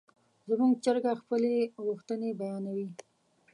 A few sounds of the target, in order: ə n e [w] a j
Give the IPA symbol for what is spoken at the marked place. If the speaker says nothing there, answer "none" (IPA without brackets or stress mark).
b